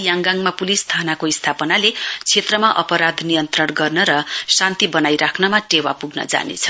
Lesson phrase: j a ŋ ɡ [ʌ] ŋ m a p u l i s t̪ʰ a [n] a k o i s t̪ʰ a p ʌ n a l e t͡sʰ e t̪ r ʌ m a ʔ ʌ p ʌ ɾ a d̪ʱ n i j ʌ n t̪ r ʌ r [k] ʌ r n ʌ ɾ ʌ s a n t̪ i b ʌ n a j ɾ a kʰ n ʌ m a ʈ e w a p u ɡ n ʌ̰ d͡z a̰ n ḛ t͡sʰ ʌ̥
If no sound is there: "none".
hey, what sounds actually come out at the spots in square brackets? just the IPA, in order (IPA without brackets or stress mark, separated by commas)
a, n, ɡ